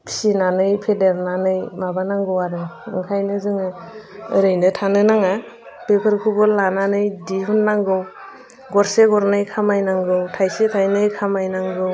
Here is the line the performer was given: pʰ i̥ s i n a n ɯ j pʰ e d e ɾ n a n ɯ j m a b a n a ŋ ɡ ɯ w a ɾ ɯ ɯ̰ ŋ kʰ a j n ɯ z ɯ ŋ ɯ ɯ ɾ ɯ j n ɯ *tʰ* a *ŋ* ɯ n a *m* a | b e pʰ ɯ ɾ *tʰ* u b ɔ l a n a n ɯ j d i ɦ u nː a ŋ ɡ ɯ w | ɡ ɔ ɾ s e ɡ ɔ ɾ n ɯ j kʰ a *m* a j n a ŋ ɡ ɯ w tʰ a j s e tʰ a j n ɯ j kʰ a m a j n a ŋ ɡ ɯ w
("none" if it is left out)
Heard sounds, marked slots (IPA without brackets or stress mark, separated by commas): tʰ, n, ŋ, kʰ, m